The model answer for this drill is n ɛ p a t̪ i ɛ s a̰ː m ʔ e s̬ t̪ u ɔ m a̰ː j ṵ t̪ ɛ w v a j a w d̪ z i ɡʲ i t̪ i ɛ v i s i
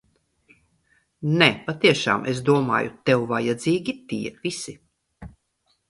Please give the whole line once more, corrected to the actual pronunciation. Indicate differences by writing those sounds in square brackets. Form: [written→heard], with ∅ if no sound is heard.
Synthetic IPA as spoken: n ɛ p a t̪ i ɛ [s→ʃ] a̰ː m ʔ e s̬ [t̪→d̪] u ɔ m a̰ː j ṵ t̪ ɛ w v a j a [w→∅] d̪ z [i→iː] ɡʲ i t̪ i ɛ v i s i